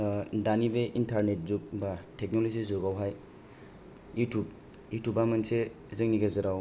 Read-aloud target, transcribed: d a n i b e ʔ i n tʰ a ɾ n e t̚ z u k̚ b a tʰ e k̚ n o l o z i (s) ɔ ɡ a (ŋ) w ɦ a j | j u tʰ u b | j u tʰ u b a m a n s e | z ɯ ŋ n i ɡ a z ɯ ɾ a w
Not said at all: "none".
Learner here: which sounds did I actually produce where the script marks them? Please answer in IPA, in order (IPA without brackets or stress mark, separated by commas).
z, none